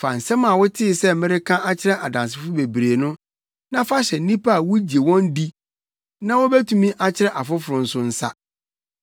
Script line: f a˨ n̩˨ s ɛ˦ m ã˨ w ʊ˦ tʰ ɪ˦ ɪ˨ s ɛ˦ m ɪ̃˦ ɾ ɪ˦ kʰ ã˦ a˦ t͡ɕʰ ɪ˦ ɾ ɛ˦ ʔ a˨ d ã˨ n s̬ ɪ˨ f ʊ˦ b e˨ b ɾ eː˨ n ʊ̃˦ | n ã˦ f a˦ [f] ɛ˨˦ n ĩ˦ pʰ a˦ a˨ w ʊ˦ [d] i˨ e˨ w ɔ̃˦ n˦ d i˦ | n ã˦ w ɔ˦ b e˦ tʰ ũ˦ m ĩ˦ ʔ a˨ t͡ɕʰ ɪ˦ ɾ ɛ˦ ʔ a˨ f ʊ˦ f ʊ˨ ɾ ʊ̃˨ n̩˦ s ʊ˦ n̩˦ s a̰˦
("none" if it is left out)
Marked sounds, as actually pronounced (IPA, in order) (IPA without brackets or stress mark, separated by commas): ɕ, d͡ʑ